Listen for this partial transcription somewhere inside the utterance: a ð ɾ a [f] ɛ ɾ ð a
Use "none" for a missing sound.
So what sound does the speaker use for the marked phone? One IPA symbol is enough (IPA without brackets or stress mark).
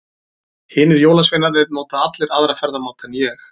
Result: f